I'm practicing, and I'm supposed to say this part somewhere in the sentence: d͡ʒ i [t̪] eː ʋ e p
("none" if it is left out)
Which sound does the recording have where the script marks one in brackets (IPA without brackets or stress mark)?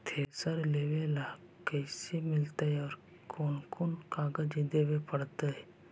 d̪